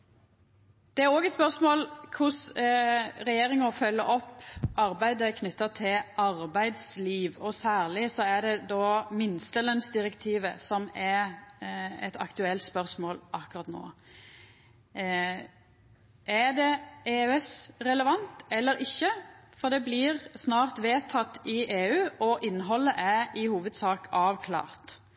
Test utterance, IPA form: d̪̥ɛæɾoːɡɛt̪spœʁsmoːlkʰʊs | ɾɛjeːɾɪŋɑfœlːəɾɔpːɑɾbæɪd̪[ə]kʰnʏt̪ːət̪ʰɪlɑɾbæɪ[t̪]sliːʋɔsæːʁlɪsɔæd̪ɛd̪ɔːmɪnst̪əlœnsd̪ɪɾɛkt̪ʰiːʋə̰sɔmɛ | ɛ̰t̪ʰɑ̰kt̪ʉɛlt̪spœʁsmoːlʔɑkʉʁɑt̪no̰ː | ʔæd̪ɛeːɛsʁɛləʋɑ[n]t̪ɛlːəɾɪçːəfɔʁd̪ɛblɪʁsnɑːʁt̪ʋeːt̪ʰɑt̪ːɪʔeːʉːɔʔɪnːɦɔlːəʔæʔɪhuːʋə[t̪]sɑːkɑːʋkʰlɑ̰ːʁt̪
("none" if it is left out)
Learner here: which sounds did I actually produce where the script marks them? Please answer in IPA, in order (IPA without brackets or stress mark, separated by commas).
ə, d̪, n, d̪